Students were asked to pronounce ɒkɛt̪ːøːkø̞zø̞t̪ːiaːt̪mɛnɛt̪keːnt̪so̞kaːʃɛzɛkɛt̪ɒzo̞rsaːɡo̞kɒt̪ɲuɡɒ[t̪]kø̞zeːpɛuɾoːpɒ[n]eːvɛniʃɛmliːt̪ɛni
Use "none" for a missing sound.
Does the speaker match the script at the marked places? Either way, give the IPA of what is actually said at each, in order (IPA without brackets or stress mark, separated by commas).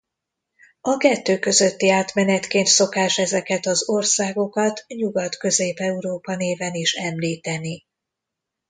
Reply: t̪, n